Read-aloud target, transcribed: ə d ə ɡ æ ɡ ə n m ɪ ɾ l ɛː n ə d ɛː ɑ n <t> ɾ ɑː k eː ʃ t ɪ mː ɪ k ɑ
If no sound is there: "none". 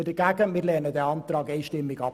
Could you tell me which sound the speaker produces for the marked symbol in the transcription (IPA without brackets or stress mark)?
t